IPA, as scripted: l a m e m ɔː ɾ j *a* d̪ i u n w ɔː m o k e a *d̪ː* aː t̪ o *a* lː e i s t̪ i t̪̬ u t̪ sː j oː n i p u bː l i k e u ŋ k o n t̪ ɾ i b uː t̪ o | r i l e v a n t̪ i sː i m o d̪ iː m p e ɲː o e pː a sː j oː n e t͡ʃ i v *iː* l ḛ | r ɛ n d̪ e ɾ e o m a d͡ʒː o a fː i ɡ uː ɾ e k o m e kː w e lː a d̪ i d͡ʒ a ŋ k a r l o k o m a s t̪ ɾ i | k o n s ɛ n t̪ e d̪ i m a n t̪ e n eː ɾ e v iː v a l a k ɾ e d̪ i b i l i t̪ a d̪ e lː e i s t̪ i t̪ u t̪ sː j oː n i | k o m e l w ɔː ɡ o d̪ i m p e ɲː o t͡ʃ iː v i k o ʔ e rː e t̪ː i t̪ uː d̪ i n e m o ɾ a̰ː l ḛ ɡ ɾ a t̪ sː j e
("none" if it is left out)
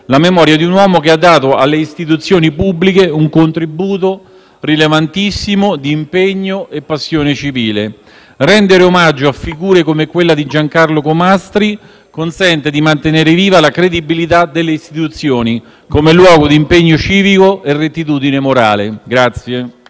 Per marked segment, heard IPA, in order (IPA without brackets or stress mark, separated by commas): a, d̪ː, a, iː